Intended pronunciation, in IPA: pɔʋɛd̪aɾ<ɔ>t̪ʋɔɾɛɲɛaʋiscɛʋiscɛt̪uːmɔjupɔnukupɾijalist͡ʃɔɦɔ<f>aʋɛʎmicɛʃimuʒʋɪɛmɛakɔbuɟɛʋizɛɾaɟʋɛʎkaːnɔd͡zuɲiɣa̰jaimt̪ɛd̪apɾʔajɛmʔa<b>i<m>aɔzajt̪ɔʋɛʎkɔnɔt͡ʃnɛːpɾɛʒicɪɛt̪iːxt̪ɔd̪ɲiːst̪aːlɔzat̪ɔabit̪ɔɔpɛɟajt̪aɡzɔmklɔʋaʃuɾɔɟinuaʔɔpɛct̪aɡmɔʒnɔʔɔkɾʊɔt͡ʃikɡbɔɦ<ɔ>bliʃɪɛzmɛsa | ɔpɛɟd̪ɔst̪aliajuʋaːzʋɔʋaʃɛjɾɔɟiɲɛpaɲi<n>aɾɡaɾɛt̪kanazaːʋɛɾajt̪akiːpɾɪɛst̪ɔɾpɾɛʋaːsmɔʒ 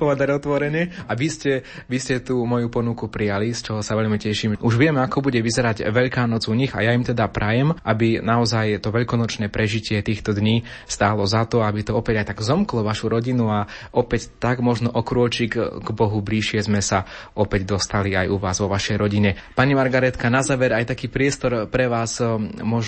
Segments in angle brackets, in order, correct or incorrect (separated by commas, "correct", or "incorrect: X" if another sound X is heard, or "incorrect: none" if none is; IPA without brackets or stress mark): correct, incorrect: s, correct, incorrect: n, incorrect: u, incorrect: m